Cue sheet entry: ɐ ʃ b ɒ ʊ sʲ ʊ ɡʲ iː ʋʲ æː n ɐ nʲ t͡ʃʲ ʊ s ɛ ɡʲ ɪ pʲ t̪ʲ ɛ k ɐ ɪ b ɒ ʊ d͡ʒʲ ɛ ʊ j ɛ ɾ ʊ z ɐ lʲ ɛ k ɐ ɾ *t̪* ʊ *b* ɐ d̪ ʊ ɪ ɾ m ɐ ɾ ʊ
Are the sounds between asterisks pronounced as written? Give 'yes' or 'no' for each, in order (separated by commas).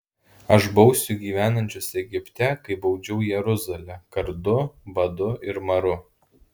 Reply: no, yes